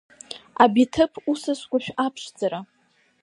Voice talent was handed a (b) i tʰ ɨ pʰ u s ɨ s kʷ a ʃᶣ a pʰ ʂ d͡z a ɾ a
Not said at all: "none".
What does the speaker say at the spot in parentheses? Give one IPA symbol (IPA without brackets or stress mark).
b